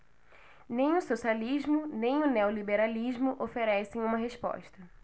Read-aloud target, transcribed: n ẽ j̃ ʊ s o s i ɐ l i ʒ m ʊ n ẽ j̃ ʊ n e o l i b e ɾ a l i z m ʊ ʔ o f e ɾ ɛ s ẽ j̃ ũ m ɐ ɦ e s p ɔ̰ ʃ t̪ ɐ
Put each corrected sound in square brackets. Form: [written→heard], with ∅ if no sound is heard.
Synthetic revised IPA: n ẽ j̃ ʊ s o s i [ɐ→a] l i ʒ m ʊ n ẽ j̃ ʊ n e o l i b e ɾ a l i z m ʊ ʔ o f e ɾ ɛ s ẽ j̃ ũ m ɐ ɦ e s p ɔ̰ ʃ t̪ ɐ